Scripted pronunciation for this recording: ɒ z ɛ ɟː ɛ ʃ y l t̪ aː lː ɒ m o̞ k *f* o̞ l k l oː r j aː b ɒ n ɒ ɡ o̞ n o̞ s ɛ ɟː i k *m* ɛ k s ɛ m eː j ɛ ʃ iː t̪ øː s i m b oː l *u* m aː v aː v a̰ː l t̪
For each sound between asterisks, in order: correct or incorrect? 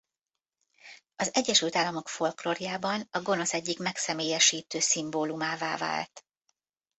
correct, correct, correct

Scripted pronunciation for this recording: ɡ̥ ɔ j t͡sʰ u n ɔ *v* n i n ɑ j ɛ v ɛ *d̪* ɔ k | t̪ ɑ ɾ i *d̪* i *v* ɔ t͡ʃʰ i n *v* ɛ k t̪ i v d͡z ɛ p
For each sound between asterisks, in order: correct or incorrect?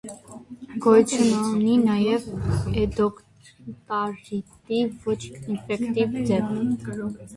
incorrect: none, correct, incorrect: t̪, correct, incorrect: f

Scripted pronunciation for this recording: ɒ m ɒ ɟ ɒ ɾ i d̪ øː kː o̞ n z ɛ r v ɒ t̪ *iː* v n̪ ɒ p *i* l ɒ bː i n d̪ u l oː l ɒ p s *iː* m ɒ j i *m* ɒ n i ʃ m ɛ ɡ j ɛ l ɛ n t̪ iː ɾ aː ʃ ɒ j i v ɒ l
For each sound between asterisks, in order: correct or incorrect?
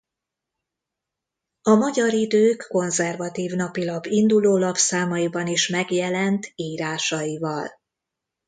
correct, correct, incorrect: aː, incorrect: b

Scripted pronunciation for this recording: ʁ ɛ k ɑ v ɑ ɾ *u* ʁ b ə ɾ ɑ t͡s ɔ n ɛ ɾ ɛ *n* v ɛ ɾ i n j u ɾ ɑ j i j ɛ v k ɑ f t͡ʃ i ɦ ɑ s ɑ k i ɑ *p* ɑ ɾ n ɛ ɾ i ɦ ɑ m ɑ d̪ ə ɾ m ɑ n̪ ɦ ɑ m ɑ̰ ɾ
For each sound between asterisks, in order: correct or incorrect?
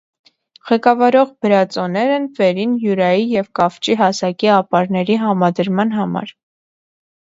incorrect: ɔ, correct, correct

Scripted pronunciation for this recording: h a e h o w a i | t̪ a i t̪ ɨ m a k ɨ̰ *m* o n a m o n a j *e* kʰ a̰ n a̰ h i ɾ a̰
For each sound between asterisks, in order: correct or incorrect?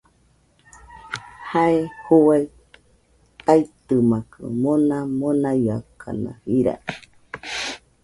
correct, incorrect: a

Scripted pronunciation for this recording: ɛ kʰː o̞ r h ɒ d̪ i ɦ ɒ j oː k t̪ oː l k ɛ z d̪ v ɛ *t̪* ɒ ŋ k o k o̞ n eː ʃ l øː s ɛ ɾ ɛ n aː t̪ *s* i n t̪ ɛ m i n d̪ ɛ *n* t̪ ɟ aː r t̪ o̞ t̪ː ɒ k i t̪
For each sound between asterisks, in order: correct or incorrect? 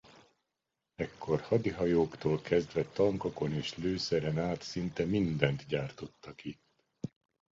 correct, correct, correct

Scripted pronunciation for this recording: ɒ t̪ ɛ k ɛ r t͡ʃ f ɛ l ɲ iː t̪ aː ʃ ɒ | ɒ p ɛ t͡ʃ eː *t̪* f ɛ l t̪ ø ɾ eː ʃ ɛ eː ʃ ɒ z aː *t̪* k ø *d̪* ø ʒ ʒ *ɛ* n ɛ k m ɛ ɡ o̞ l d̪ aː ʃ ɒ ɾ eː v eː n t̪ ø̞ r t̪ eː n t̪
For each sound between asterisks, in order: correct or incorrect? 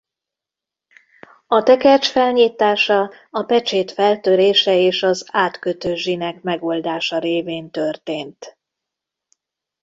correct, correct, incorrect: t̪, incorrect: i

